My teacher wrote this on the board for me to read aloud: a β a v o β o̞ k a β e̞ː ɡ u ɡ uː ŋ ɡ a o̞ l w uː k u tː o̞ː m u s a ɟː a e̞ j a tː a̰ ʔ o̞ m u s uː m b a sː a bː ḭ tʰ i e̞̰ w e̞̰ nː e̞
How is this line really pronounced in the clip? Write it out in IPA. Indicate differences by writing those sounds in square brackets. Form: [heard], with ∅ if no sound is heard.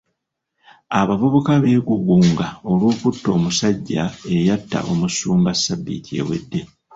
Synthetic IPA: a β a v o β o̞ k a β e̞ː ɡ u ɡ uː ŋ ɡ a o̞ l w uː k u tː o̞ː m u s a ɟː a e̞ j a tː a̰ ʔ o̞ m u s uː m b a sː a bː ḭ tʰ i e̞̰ w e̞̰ [dː] e̞